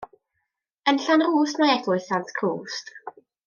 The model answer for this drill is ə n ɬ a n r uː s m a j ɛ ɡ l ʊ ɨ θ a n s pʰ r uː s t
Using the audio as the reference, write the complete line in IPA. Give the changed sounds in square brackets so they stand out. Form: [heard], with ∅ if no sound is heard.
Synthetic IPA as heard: ə n ɬ a n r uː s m a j ɛ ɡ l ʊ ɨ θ a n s [kʰ] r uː s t